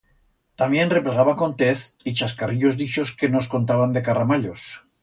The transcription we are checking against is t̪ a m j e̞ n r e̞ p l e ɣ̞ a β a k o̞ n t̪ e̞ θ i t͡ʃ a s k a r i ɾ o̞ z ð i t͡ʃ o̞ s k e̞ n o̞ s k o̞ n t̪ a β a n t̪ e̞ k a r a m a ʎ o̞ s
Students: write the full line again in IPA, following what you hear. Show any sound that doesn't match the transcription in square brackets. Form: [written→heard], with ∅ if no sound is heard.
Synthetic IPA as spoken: t̪ a m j e̞ n r e̞ p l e ɣ̞ a β a k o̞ n t̪ e̞ θ i t͡ʃ a s k a r i [ɾ→ʎ] o̞ z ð i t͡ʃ o̞ s k e̞ n o̞ s k o̞ n t̪ a β a n [t̪→d̪] e̞ k a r a m a ʎ o̞ s